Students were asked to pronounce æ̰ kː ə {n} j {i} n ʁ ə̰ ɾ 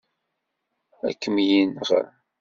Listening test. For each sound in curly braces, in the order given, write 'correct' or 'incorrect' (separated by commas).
incorrect, correct